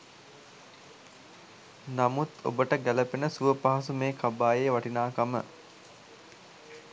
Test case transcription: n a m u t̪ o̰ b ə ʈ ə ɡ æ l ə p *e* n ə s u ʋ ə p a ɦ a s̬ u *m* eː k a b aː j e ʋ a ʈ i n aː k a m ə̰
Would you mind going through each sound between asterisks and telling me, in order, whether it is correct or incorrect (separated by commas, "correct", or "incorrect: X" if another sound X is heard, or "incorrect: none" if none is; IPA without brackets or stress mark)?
correct, correct